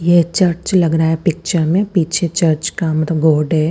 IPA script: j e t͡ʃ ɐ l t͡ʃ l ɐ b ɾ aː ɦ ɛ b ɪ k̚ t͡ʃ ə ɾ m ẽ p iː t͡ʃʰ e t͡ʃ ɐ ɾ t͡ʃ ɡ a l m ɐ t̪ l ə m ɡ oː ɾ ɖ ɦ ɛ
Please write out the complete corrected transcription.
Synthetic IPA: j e t͡ʃ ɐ ɾ t͡ʃ l ɐ ɡ ɾ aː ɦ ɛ p ɪ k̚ t͡ʃ ə ɾ m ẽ p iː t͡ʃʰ e t͡ʃ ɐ ɾ t͡ʃ k a m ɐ t̪ l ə b ɡ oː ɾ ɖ ɦ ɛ

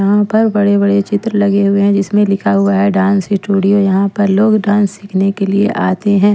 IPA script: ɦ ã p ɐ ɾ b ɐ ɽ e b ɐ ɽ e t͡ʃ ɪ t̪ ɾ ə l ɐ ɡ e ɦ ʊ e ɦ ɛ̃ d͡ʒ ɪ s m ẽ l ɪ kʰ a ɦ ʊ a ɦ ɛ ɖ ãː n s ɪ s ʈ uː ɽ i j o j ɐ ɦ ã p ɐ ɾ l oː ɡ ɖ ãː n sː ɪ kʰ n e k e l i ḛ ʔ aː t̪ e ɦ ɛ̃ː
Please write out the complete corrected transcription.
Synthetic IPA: ɦ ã p ɐ ɾ b ɐ ɽ e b ɐ ɽ e t͡ʃ ɪ t̪ ɾ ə l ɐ ɡ e ɦ ʊ e ɦ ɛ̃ d͡ʒ ɪ s m ẽ l ɪ kʰ a ɦ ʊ a ɦ ɛ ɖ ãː n s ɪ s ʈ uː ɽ i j o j ɐ ɦ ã p ɐ ɾ l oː ɡ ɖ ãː n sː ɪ kʰ n e k e l i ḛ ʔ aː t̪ e ɦ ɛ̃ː

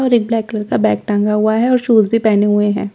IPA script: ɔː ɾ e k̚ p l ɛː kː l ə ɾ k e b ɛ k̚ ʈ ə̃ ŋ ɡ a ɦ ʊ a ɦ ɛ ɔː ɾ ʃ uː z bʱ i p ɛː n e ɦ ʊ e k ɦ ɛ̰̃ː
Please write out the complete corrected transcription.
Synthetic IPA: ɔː ɾ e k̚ b l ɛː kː l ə ɾ k a b ɛː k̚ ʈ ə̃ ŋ ɡ a ɦ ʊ a ɦ ɛ ɔː ɾ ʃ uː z bʱ i p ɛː n e ɦ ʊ e ɦ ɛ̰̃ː

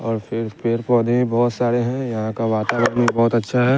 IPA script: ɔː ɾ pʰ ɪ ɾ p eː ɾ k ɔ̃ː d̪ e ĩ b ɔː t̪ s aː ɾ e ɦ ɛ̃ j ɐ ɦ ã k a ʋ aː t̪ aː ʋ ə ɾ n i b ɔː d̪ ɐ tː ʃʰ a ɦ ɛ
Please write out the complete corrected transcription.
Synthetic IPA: ɔː ɾ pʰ ɪ ɾ p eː ɾ p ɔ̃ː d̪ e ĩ b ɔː t̪ s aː ɾ e ɦ ɛ̃ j ɐ ɦ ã k a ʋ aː t̪ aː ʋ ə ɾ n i b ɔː t̪ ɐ tː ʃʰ a ɦ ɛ

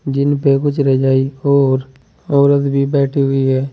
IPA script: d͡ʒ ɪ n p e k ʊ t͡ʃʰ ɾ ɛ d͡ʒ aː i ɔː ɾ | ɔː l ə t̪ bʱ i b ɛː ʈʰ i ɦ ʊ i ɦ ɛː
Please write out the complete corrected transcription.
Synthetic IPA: d͡ʒ ɪ n p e k ʊ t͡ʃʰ ɾ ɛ d͡ʒ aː i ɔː ɾ | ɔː ɾ ə t̪ bʱ i b ɛː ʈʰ i ɦ ʊ i ɦ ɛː

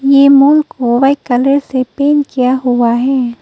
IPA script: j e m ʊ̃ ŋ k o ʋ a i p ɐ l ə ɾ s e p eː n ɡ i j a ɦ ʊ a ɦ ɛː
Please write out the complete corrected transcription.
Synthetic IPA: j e m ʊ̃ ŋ k o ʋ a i k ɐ l ə ɾ s e p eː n k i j a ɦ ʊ a ɦ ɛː

